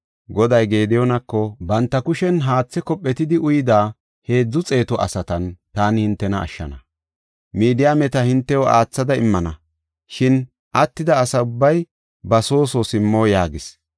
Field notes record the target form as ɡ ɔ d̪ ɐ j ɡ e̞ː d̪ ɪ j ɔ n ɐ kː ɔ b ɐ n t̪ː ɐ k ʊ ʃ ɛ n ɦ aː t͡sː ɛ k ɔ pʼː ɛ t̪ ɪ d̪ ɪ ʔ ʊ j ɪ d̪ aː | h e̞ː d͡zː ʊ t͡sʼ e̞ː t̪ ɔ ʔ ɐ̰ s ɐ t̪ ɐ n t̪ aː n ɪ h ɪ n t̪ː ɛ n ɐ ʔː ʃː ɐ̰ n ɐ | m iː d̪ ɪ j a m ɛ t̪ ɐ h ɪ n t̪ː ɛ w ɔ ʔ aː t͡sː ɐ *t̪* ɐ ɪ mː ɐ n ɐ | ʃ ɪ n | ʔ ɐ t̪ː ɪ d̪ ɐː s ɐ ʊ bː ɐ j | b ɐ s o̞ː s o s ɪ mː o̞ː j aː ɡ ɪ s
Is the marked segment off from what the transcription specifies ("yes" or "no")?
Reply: yes